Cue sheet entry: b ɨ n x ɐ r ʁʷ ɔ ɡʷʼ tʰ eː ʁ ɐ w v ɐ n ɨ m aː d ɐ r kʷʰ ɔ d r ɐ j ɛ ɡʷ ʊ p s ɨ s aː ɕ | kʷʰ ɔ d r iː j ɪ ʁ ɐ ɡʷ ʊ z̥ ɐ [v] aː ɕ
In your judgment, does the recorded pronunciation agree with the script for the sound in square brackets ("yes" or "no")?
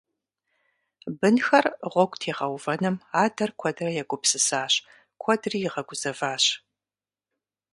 yes